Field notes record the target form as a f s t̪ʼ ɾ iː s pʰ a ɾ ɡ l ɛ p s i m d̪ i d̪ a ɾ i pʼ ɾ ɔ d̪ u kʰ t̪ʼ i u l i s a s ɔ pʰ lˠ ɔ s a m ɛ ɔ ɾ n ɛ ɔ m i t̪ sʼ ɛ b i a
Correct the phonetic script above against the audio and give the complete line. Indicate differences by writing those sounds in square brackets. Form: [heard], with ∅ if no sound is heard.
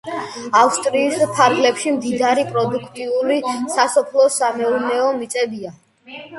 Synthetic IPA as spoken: a f s t̪ʼ ɾ iː s pʰ a ɾ ɡ l ɛ p [ʃ] i m d̪ i d̪ a ɾ i pʼ ɾ ɔ d̪ u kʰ t̪ʼ i u l i s a s ɔ pʰ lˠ ɔ s a m ɛ [u] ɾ n ɛ ɔ m i t̪ sʼ ɛ b i a